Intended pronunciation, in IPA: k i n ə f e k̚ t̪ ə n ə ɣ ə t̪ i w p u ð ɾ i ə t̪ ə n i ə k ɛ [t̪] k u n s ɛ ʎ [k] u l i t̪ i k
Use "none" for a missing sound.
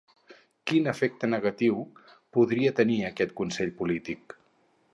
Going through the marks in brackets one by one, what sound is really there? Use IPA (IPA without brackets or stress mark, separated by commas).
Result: t̪, p